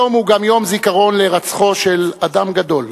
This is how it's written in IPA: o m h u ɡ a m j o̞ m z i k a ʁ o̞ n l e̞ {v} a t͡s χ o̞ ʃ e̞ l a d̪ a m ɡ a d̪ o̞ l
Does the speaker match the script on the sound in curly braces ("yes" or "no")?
no